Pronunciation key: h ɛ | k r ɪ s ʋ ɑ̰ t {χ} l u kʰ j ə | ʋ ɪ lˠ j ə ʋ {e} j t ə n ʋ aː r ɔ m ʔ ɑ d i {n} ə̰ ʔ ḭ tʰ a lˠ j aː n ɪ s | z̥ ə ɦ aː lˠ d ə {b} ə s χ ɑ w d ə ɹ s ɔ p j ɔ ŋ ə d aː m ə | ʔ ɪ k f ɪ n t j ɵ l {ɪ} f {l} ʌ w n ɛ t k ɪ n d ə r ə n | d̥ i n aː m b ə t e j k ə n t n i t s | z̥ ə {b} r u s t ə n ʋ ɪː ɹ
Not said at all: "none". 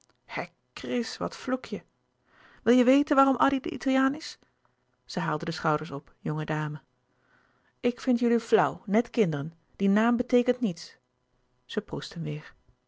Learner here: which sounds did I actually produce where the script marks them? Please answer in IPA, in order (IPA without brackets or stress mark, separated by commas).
f, e, d, d, i, l, p